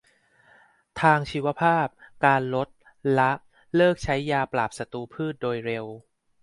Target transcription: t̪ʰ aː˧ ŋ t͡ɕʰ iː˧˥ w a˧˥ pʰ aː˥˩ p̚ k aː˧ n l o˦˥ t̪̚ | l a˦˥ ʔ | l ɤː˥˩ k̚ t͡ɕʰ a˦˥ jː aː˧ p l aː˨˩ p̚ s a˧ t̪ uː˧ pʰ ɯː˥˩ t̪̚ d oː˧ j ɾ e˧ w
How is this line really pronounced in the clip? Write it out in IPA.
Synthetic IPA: t̪ʰ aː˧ ŋ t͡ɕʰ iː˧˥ w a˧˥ pʰ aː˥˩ p̚ k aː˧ n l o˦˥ t̪̚ | l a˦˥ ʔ | l ɤː˥˩ k̚ t͡ɕʰ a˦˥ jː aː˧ p l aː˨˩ p̚ s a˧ t̪ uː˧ pʰ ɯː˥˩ t̪̚ d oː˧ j ɾ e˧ w